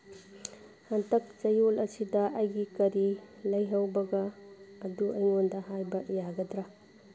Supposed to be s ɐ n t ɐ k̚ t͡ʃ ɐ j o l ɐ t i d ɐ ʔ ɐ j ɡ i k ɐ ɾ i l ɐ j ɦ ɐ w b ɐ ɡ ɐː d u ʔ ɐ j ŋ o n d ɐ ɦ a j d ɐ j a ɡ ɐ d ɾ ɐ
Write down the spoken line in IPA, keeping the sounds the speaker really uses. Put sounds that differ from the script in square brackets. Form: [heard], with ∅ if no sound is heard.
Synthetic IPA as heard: [h] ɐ n t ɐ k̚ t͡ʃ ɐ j o l ɐ [s] i d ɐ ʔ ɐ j ɡ i k ɐ ɾ i l ɐ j ɦ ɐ w b ɐ ɡ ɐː d u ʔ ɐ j ŋ o n d ɐ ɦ a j [b] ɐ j a ɡ ɐ d ɾ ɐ